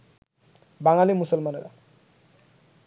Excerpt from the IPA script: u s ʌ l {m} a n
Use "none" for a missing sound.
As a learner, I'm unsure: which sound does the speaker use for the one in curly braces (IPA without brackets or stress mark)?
m